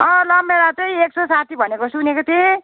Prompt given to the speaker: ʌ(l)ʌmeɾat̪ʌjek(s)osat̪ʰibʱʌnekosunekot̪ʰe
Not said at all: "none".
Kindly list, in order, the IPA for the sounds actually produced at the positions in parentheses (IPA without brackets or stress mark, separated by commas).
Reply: l, s